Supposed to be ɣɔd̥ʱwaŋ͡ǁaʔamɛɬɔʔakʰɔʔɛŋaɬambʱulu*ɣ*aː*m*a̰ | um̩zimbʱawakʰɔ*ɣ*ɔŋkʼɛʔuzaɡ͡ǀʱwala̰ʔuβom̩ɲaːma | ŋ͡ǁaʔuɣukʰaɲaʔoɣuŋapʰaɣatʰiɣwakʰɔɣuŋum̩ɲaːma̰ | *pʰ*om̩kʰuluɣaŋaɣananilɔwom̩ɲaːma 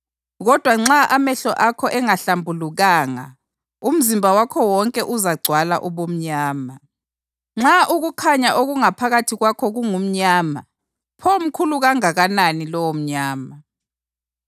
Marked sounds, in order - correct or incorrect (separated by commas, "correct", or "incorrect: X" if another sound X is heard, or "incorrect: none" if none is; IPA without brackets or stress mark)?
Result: correct, incorrect: ŋ, incorrect: w, correct